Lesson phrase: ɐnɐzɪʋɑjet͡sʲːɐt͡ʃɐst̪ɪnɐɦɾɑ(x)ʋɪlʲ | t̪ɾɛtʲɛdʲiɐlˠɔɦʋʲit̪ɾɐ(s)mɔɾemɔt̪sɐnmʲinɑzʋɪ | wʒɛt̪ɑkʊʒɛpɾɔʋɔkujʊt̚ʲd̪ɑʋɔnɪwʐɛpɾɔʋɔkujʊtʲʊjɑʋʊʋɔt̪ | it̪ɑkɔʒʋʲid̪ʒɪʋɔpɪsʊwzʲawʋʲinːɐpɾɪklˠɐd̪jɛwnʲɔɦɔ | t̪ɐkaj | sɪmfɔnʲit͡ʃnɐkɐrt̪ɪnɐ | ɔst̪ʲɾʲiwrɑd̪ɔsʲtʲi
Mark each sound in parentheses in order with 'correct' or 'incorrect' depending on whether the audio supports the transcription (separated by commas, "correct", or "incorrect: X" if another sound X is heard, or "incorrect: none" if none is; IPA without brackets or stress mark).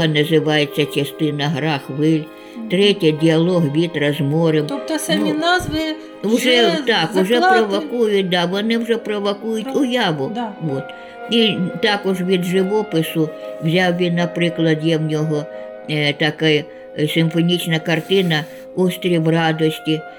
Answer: correct, incorrect: z